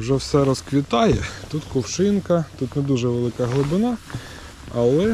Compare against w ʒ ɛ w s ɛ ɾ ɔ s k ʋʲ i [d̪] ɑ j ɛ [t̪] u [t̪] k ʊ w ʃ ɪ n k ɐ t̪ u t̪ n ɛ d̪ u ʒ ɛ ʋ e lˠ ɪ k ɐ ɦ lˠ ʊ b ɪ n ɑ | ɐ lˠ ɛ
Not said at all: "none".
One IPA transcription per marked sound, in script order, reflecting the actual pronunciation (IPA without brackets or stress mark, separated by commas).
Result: t̪, t̪, t̪